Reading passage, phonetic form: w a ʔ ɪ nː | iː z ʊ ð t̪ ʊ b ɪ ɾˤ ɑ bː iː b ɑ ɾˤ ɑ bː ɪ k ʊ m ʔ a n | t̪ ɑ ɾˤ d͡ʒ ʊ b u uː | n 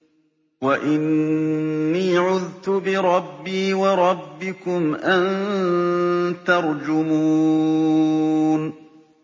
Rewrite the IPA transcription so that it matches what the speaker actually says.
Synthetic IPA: w a ʔ ɪ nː | iː ʕ ʊ ð t̪ ʊ b ɪ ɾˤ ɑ bː iː w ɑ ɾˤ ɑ bː ɪ k ʊ m ʔ a n | t̪ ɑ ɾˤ d͡ʒ ʊ m u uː | n